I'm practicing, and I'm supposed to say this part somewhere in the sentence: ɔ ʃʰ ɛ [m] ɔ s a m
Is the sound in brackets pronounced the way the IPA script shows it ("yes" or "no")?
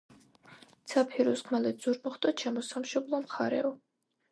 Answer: yes